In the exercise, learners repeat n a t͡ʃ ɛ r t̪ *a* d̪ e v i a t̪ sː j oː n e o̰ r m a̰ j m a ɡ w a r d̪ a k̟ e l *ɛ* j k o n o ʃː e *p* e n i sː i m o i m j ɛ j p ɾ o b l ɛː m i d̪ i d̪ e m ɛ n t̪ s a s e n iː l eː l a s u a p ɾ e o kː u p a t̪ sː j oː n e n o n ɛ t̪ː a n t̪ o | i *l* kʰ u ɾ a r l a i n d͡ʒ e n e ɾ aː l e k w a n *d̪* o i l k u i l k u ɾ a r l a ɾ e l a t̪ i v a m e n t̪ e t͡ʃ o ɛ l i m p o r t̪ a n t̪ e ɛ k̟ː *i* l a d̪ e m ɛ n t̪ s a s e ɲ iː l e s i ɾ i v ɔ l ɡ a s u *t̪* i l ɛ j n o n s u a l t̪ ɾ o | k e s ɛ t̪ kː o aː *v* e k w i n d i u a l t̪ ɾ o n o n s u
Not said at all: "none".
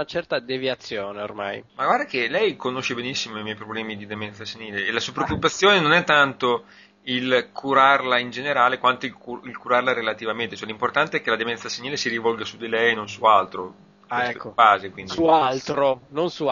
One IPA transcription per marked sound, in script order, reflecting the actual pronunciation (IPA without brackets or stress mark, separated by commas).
a, ɛ, b, l, t̪, e, d̪, z